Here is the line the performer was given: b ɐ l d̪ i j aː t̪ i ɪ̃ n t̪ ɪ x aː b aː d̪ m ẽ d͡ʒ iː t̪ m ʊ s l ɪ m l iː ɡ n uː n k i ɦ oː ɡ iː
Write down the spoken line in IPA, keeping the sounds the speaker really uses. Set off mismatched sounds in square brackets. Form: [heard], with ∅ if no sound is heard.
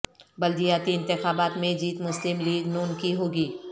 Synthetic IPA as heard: b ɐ l d̪ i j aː t̪ i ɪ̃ n t̪ ɪ x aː b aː [t̪] m ẽ d͡ʒ iː t̪ m ʊ s l ɪ m l iː ɡ n uː n k i ɦ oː ɡ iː